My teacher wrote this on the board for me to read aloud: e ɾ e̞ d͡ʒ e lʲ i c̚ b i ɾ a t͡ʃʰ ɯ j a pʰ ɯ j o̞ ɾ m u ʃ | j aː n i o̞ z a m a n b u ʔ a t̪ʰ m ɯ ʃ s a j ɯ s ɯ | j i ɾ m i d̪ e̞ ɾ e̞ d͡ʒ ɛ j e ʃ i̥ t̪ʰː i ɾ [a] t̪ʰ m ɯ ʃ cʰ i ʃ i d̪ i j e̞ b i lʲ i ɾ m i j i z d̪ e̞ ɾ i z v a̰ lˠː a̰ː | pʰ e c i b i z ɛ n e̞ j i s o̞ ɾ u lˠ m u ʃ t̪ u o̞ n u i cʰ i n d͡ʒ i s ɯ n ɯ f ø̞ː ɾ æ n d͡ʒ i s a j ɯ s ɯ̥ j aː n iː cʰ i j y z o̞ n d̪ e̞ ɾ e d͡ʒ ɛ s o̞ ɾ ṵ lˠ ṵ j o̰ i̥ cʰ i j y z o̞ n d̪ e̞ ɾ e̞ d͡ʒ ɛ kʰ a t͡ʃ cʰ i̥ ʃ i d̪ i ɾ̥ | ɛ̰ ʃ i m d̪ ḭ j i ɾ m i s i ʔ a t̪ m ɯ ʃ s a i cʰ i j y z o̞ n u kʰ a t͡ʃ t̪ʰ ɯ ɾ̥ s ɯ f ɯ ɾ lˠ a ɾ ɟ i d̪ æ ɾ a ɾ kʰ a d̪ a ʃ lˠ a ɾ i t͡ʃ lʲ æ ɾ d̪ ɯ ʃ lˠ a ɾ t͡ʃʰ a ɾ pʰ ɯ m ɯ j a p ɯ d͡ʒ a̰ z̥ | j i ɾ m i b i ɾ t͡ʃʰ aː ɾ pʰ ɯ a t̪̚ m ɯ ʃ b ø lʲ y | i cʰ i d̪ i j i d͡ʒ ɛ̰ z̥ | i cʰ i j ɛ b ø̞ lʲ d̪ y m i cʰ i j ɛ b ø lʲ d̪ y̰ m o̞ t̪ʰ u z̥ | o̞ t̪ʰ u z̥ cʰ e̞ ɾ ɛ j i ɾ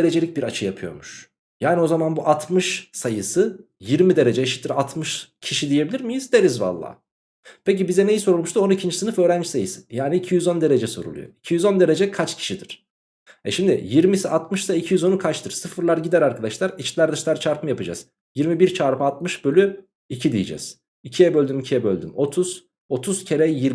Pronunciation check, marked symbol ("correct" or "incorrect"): correct